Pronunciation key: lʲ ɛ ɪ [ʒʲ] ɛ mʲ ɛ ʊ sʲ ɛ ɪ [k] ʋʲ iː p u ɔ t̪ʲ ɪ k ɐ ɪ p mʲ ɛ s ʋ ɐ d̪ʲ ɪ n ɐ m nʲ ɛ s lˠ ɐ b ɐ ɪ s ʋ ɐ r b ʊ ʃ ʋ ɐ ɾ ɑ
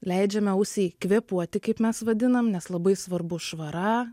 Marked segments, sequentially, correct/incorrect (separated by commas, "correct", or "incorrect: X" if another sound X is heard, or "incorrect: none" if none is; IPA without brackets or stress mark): incorrect: d͡ʒʲ, correct